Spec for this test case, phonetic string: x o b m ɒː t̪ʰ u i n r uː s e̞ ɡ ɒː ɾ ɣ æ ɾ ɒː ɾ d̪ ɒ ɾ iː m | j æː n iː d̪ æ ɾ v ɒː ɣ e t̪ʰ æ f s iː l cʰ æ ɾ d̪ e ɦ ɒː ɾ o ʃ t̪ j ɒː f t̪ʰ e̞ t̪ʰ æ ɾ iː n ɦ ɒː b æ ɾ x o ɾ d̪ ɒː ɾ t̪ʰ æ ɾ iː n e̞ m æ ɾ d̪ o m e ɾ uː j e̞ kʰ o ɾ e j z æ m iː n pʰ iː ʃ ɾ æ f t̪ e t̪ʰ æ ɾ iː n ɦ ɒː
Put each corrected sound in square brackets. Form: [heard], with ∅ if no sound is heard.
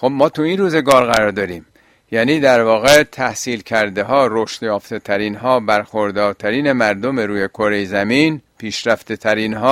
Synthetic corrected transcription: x o b m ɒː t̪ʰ u i n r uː [z] e̞ ɡ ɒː ɾ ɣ æ ɾ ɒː ɾ d̪ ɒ ɾ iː m | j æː n iː d̪ æ ɾ v ɒː ɣ e t̪ʰ æ [h] s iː l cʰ æ ɾ d̪ e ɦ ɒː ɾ o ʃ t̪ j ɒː f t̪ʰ e̞ t̪ʰ æ ɾ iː n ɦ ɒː b æ ɾ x o ɾ d̪ ɒː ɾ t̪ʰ æ ɾ iː n e̞ m æ ɾ d̪ o m e ɾ uː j e̞ kʰ o ɾ e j z æ m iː n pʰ iː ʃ ɾ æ f t̪ e t̪ʰ æ ɾ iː n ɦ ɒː